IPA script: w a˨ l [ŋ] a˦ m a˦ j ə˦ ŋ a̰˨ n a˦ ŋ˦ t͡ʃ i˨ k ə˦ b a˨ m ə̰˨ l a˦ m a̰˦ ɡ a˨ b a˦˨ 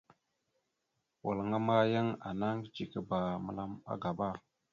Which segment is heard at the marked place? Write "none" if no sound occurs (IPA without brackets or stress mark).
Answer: ŋ